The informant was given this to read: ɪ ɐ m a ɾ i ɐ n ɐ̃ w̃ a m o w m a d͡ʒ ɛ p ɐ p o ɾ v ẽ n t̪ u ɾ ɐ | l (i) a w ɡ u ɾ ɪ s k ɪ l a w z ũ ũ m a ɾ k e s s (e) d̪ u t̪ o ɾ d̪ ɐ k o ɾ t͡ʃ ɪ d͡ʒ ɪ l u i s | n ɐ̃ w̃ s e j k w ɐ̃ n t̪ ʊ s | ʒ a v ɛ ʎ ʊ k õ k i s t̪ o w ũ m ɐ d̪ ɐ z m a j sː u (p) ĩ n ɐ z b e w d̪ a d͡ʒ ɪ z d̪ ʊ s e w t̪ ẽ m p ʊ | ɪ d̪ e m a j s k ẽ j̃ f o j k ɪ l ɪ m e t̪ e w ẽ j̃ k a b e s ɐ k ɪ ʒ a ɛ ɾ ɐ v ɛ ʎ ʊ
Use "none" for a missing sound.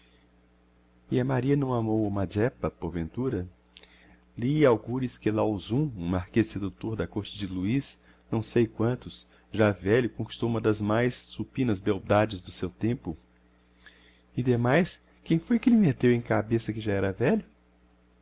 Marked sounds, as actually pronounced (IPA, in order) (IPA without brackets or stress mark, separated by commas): i, e, p